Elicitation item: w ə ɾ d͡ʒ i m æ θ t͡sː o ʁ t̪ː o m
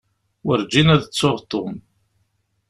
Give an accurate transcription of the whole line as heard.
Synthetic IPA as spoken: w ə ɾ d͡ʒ i n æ ð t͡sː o ʁ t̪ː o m

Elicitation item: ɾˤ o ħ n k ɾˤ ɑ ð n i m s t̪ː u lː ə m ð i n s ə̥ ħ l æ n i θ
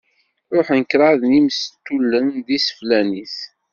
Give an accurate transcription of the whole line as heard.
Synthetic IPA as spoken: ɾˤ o ħ n k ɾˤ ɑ ð n i m s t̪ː u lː ə n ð i s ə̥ f l æ n i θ

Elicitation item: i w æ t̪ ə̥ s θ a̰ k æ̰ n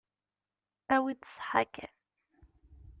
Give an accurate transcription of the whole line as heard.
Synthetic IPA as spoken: æ w i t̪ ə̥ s ħ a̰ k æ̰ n

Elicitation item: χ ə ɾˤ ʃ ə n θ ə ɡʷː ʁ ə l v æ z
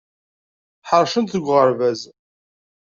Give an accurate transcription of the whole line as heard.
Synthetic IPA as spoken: ħ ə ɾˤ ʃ ə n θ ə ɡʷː ʁ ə ɾ v æ z

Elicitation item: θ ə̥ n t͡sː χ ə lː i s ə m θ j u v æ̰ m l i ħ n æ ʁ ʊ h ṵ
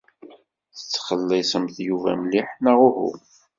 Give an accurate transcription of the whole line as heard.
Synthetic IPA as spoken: θ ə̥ t͡sː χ ə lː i s ə m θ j u v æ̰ m l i ħ n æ ʁ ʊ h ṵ

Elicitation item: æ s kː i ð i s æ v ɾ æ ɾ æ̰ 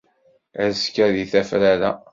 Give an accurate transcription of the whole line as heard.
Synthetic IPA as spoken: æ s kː æ ð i θ æ f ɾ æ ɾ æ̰

